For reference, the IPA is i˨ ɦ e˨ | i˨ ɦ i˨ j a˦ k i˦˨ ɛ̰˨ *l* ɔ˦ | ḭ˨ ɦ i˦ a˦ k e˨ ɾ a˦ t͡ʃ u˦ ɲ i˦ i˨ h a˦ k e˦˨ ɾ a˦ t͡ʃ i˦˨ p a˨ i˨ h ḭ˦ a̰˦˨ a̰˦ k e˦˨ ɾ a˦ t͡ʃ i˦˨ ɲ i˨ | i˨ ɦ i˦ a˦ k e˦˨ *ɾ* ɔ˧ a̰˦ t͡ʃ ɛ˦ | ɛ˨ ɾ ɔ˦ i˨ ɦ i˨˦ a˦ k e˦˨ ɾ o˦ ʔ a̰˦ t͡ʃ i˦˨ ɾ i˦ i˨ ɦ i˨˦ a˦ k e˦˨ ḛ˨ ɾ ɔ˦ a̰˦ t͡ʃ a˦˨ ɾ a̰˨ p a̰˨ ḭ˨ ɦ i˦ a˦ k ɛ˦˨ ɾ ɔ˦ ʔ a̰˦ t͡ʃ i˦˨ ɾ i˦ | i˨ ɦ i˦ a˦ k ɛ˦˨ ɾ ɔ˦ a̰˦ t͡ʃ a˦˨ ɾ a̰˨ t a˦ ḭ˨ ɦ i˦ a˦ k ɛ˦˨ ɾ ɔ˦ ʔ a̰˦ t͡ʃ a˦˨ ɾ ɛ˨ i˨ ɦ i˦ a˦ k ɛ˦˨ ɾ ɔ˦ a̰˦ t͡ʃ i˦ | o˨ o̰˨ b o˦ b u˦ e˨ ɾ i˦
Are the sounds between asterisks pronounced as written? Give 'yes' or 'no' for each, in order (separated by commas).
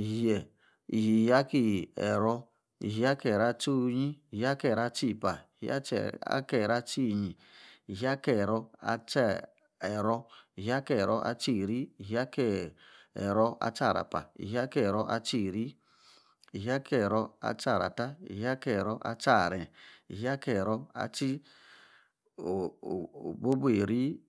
no, yes